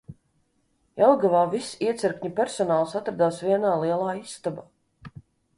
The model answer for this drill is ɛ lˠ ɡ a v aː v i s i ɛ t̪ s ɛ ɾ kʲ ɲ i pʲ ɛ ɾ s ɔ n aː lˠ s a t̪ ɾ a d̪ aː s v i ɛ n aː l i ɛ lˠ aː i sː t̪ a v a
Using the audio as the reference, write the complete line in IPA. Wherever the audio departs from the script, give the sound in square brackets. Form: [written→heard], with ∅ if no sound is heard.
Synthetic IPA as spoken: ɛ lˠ ɡ a v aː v i s i ɛ t̪ s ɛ ɾ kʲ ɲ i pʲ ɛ ɾ s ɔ n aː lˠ s a t̪ ɾ a d̪ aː s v i ɛ n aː l i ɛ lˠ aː i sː t̪ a [v→b] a